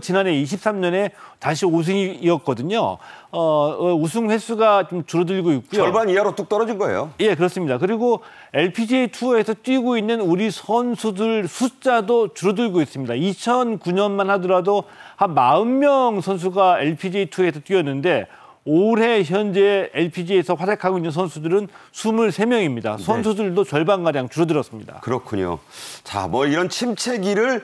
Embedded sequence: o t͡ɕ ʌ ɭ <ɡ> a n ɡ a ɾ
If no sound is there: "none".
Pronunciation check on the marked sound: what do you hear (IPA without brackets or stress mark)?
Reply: b